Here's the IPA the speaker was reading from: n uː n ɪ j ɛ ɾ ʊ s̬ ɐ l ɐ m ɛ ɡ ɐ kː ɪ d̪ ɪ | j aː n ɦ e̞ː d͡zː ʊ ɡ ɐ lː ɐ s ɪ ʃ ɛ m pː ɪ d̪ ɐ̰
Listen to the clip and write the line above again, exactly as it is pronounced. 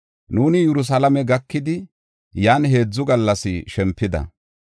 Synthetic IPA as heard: n uː n ɪ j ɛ ɾ ʊ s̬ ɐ l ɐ m ɛ ɡ ɐ kː ɪ d̪ ɪ | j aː n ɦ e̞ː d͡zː ʊ ɡ ɐ lː ɐ s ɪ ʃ ɛ m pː ɪ d̪ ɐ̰